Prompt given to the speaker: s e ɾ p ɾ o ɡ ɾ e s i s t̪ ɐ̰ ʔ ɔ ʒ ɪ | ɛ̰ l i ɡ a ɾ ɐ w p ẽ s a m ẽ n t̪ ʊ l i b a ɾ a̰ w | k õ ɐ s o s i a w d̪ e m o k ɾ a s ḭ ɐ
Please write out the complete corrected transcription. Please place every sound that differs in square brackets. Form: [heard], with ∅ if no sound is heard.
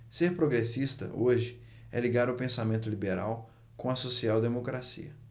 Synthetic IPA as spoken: s e ɾ p ɾ o ɡ ɾ e s i s t̪ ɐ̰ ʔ [o] ʒ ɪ | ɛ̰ l i ɡ a ɾ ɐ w p ẽ s a m ẽ n t̪ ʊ l i b [e] ɾ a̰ w | k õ ɐ s o s i a w d̪ e m o k ɾ a s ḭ ɐ